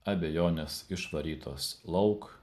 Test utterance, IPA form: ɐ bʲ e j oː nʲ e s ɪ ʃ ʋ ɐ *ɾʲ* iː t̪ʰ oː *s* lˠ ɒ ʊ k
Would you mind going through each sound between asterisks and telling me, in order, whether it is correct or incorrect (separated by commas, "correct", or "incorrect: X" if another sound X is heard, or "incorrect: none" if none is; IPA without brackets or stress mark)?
correct, correct